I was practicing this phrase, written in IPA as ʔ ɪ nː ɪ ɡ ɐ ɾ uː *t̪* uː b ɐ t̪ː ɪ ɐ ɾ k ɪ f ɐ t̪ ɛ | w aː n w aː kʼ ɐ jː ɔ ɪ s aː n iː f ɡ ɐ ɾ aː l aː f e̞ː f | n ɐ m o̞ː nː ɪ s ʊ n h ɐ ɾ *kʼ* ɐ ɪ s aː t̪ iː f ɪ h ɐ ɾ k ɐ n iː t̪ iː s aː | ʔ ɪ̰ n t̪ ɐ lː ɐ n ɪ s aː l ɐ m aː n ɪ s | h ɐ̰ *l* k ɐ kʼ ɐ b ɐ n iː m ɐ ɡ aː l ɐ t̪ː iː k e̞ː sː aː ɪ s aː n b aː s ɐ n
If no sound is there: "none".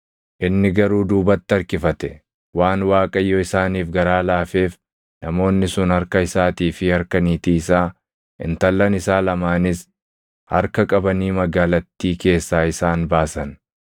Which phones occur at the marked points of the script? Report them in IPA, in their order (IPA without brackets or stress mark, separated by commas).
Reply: d̪, k, ɾ